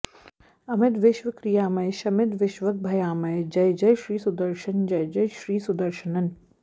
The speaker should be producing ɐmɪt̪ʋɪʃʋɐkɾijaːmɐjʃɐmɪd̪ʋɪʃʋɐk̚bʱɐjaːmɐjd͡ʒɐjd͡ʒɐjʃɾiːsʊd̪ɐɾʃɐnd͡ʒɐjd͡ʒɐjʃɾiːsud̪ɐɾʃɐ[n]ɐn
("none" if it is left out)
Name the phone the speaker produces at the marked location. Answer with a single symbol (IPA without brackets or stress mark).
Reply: n